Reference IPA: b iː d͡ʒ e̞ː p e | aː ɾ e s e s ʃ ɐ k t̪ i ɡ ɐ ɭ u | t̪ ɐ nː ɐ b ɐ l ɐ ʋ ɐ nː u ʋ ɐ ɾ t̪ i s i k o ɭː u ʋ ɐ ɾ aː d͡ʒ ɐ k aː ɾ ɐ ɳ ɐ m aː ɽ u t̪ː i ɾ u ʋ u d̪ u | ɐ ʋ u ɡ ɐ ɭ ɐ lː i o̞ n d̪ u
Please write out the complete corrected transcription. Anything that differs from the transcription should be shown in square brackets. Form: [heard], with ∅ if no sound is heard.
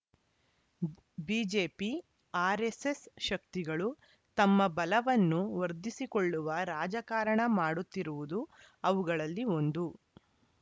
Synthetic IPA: b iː d͡ʒ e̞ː p [i] | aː ɾ e s e s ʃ ɐ k t̪ i ɡ ɐ ɭ u | t̪ ɐ [mː] ɐ b ɐ l ɐ ʋ ɐ nː u ʋ ɐ ɾ [d̪] i s i k o ɭː u ʋ ɐ ɾ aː d͡ʒ ɐ k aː ɾ ɐ ɳ ɐ m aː ɽ u t̪ː i ɾ u ʋ u d̪ u | ɐ ʋ u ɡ ɐ ɭ ɐ lː i o̞ n d̪ u

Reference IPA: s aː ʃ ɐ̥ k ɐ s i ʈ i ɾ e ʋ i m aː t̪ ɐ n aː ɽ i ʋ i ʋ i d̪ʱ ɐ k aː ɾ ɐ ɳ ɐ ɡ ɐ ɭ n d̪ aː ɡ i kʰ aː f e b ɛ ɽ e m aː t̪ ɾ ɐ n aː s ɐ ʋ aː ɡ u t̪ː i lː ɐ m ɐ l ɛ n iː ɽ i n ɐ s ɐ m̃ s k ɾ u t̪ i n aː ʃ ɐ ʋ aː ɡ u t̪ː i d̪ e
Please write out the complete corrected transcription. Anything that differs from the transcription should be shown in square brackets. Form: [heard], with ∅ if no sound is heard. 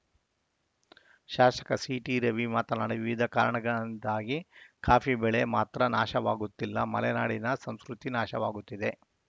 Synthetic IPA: [ʃ] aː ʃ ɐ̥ k ɐ s i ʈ i ɾ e ʋ i m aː t̪ ɐ n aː ɽ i ʋ i ʋ i d̪ʱ ɐ k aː ɾ ɐ ɳ ɐ ɡ ɐ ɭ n d̪ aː ɡ i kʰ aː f [i] b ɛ [ɭ] e m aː t̪ ɾ ɐ n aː [ʃ] ɐ ʋ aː ɡ u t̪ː i lː ɐ m ɐ l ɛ n [aː] ɽ i n ɐ s ɐ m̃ s k ɾ u t̪ i n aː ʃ ɐ ʋ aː ɡ u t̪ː i d̪ e

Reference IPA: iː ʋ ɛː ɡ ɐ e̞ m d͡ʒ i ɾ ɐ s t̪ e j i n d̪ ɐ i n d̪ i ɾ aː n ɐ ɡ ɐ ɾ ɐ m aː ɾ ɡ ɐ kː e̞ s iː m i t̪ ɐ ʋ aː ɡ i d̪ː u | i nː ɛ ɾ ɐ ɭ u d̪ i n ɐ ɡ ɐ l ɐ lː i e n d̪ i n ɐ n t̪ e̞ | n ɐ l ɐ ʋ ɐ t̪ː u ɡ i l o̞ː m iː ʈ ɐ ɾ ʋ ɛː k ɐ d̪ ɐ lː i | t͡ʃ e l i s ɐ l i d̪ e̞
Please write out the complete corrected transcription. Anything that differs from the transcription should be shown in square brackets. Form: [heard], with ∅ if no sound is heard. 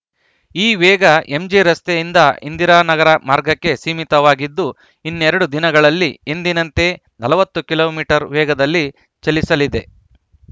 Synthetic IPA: iː ʋ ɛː ɡ ɐ e̞ m d͡ʒ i ɾ ɐ s t̪ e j i n d̪ ɐ i n d̪ i ɾ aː n ɐ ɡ ɐ ɾ ɐ m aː ɾ ɡ ɐ kː e̞ s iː m i t̪ ɐ ʋ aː ɡ i d̪ː u | i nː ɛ ɾ ɐ [ɽ] u d̪ i n ɐ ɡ ɐ [ɭ] ɐ lː i e n d̪ i n ɐ n t̪ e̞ | n ɐ l ɐ ʋ ɐ t̪ː u [k] i l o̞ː m iː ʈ ɐ ɾ ʋ ɛː [ɡ] ɐ d̪ ɐ lː i | t͡ʃ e l i s ɐ l i d̪ e̞

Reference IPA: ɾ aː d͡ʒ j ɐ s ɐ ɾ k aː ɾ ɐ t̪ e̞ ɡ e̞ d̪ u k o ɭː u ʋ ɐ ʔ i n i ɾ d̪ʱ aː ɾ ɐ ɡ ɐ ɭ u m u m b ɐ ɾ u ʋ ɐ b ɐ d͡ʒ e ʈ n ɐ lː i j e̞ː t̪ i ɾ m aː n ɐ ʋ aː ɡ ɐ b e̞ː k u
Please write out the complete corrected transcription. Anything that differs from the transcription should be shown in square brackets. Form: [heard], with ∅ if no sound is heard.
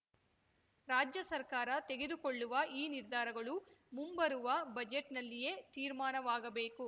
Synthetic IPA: ɾ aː d͡ʒ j ɐ s ɐ ɾ k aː ɾ ɐ t̪ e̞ ɡ e̞ d̪ u k o ɭː u ʋ ɐ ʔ [iː] n i ɾ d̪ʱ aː ɾ ɐ ɡ ɐ ɭ u m u m b ɐ ɾ u ʋ ɐ b ɐ d͡ʒ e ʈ n ɐ lː i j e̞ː t̪ [iː] ɾ m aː n ɐ ʋ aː ɡ ɐ b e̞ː k u

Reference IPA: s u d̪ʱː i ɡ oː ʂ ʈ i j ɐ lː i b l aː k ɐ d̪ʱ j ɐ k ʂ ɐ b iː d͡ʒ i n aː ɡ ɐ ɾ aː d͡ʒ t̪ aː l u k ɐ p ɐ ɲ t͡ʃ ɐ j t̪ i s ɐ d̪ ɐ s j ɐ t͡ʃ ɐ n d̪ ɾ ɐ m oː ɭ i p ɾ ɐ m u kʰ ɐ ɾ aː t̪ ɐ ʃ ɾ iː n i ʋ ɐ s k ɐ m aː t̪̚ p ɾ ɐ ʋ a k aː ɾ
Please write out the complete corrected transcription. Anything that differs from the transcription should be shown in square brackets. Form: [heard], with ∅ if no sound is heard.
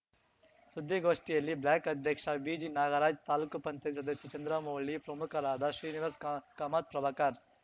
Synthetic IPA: s u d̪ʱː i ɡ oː ʂ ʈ i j ɐ lː i b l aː k ɐ d̪ʱ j ɐ k ʂ ɐ b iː d͡ʒ i n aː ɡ ɐ ɾ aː d͡ʒ t̪ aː l u k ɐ p ɐ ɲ t͡ʃ ɐ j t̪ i s ɐ d̪ ɐ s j ɐ t͡ʃ ɐ n d̪ ɾ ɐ m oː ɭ i p ɾ ɐ m u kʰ ɐ ɾ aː [d̪] ɐ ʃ ɾ iː n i ʋ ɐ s k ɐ m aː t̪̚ p ɾ ɐ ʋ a k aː ɾ

